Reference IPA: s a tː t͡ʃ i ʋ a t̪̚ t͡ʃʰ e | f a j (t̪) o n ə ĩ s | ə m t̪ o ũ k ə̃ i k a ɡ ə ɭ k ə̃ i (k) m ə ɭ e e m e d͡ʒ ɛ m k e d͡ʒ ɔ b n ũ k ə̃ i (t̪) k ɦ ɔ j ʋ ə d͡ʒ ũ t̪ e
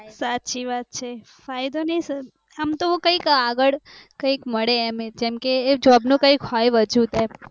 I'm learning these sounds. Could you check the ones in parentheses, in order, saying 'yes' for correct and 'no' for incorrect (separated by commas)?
no, yes, no